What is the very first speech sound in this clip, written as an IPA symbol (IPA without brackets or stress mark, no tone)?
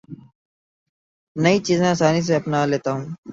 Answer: n